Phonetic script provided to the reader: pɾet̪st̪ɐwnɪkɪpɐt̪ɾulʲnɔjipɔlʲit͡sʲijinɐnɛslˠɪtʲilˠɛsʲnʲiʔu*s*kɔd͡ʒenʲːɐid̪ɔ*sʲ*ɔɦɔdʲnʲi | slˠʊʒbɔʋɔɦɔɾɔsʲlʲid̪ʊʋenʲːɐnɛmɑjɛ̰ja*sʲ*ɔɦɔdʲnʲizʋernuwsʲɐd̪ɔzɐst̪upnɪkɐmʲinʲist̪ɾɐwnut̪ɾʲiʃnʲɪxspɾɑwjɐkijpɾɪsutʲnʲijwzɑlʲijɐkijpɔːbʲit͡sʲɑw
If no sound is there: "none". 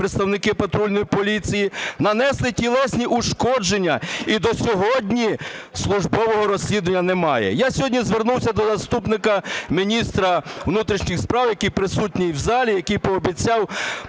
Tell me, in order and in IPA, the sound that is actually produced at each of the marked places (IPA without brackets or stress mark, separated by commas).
ʃ, sʲ, sʲ